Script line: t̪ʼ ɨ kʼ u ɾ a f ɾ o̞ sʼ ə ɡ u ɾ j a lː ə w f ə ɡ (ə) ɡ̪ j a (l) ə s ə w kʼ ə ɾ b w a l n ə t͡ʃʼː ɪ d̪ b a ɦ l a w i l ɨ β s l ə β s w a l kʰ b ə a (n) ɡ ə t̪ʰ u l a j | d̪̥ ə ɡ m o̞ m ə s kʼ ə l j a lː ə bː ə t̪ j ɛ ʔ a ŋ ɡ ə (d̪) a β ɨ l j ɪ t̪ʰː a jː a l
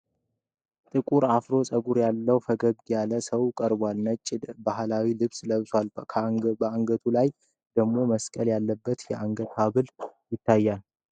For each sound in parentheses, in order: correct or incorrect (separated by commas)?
correct, correct, incorrect, incorrect